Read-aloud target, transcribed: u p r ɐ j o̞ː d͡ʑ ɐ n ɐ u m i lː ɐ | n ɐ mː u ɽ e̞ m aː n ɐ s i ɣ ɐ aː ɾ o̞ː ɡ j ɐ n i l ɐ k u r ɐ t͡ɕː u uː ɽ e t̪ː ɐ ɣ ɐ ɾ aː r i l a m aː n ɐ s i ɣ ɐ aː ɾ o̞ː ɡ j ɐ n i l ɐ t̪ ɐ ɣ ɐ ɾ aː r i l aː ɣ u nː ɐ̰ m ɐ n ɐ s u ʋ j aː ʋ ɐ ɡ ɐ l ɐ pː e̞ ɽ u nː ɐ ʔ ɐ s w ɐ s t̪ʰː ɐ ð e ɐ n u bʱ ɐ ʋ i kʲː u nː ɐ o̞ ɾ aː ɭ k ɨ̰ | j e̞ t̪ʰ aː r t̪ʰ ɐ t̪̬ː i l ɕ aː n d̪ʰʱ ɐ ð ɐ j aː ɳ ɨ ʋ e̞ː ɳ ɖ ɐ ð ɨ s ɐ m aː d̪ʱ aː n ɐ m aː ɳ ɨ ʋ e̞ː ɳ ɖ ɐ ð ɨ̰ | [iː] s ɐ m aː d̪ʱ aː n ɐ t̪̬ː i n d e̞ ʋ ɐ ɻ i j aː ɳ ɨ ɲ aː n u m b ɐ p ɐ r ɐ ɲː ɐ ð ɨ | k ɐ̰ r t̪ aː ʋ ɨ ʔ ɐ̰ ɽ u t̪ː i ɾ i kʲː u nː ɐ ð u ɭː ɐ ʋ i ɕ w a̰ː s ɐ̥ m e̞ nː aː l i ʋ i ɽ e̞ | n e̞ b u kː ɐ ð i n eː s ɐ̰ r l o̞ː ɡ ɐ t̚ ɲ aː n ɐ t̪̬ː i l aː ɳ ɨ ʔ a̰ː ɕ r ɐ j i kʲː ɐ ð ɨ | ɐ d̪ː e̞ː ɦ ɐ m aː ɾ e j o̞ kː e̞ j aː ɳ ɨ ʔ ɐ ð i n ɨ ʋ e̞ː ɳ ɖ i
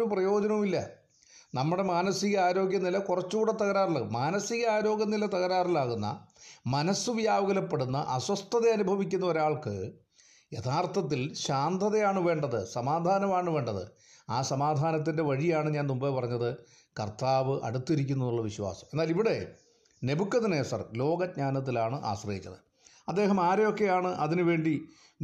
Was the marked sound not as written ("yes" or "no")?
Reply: yes